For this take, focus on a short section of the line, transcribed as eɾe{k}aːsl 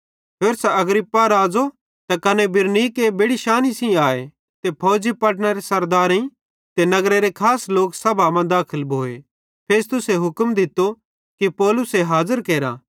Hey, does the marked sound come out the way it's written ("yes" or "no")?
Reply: no